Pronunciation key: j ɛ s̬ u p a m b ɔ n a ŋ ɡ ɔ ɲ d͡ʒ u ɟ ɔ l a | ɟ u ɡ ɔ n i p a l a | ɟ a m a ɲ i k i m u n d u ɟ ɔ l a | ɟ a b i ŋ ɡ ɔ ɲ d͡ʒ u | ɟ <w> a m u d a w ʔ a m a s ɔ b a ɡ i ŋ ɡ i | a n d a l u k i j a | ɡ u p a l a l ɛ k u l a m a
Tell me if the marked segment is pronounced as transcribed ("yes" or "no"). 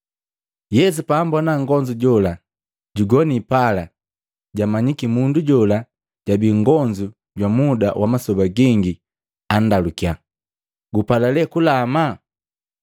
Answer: yes